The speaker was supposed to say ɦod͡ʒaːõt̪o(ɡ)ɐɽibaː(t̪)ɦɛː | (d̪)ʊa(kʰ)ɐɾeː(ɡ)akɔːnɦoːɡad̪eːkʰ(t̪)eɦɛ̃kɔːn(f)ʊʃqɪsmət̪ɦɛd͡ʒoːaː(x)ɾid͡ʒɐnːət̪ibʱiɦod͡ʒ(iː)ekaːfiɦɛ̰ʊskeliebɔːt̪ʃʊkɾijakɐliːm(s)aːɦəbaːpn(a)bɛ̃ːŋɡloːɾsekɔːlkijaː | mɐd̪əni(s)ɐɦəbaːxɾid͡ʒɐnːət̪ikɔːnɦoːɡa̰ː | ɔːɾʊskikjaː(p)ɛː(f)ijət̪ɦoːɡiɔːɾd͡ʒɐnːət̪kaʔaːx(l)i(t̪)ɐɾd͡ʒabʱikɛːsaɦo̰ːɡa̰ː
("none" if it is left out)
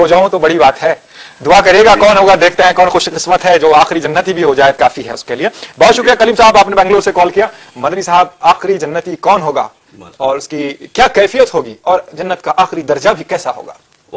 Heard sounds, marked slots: b, t̪, d̪, k, ɡ, t̪, x, x, aː, s, e, s, k, f, ɾ, d̪

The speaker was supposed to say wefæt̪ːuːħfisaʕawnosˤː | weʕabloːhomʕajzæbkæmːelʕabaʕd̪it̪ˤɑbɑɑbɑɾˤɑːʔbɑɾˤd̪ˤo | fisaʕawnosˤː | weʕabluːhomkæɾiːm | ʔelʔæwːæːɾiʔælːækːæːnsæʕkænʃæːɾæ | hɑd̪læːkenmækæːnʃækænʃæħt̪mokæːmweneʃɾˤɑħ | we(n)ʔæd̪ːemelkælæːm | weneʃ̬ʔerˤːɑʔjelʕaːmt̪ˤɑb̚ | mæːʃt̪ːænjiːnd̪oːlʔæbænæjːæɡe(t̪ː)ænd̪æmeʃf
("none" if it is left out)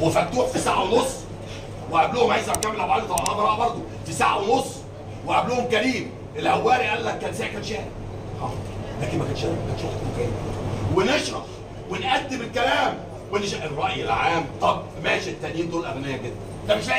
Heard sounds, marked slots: n, d̪ː

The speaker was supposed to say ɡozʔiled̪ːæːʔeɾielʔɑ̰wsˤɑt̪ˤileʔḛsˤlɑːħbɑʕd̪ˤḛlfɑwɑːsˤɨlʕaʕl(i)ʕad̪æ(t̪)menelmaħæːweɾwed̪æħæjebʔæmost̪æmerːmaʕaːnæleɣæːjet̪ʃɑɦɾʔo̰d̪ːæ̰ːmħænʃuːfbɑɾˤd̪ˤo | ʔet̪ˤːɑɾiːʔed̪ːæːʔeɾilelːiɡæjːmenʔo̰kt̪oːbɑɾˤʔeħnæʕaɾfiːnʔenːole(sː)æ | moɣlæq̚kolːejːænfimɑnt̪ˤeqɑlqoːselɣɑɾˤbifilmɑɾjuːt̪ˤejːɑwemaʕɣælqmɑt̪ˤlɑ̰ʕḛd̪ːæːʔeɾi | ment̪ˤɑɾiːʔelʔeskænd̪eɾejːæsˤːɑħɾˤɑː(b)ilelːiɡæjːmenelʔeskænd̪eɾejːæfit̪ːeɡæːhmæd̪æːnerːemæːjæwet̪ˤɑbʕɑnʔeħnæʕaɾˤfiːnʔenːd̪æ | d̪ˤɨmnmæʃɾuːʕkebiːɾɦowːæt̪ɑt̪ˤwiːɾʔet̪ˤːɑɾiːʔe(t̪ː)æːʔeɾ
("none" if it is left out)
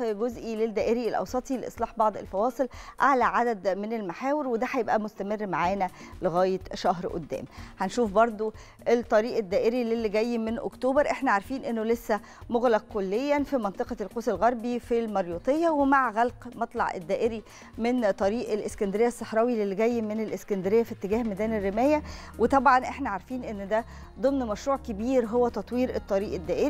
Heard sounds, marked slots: æ, d̪, sː, w, d̪ː

